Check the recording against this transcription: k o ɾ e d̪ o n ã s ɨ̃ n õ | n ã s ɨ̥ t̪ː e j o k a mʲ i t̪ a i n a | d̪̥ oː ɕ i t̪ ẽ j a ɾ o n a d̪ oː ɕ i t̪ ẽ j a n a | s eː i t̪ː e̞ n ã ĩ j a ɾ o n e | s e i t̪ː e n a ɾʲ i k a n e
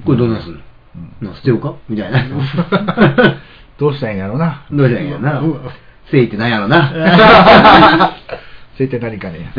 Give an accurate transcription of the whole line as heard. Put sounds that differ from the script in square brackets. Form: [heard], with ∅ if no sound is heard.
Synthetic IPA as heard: k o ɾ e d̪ o n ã s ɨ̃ n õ | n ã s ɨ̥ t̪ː e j o k a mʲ i t̪ a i n a | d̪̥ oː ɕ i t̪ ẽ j a ɾ o n a d̪ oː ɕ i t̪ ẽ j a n a | s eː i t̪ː e̞ n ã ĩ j a ɾ o n [a] | s e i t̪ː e n a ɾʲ i k a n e